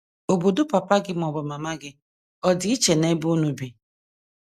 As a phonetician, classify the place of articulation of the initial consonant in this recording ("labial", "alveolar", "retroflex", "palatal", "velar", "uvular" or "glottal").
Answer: labial